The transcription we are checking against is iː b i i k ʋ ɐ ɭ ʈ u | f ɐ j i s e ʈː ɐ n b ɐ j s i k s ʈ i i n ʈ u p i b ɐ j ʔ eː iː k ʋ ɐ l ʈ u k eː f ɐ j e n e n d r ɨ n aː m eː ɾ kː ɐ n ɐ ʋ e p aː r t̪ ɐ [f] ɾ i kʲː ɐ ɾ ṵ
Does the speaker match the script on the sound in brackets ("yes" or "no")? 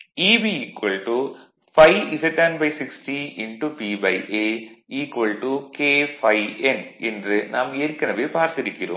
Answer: no